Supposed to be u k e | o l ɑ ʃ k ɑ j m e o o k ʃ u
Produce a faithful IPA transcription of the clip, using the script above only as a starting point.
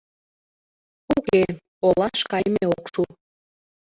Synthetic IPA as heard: u k e | o l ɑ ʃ k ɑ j m e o o k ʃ u